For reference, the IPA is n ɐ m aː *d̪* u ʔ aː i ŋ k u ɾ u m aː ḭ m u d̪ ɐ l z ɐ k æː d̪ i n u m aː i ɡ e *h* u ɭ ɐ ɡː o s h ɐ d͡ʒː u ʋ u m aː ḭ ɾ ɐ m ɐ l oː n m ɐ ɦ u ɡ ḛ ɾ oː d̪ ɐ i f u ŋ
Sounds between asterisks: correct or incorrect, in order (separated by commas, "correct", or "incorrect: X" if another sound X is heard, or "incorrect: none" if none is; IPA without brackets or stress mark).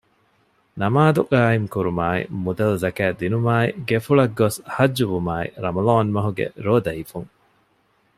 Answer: correct, incorrect: f